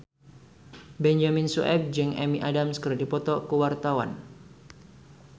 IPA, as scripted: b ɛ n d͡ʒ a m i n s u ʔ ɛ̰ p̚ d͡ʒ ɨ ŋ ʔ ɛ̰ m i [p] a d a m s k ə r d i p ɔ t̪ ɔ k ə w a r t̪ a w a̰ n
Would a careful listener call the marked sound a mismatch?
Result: yes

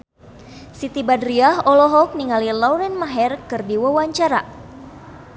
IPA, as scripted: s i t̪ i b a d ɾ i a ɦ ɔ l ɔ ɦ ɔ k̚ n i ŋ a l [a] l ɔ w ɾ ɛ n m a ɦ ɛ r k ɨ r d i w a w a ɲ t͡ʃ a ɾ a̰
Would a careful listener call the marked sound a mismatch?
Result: yes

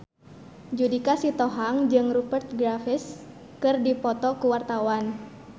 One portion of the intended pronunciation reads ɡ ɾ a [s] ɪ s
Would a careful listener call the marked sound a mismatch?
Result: yes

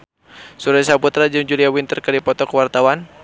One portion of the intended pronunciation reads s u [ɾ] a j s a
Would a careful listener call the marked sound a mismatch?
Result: no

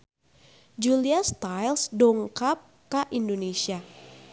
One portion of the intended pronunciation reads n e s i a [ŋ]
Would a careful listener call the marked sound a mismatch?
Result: yes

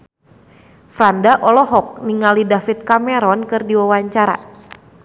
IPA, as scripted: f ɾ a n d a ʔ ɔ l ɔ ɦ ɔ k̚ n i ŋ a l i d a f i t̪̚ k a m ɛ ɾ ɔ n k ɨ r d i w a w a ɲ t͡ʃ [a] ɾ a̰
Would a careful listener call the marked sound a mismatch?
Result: no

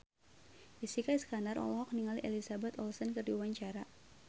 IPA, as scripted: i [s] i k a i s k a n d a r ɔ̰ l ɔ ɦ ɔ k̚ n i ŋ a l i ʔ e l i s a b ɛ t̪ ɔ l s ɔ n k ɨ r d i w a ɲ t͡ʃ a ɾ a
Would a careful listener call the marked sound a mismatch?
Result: no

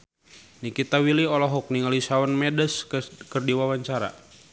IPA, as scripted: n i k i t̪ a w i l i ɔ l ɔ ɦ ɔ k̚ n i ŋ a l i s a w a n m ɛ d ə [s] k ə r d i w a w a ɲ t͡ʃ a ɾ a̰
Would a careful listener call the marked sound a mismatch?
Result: no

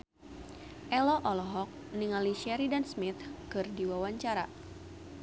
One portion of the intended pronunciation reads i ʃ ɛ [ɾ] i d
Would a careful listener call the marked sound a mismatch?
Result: no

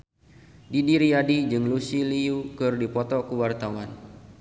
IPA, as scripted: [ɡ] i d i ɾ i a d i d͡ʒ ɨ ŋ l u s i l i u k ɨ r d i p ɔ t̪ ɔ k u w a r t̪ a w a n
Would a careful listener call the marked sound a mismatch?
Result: yes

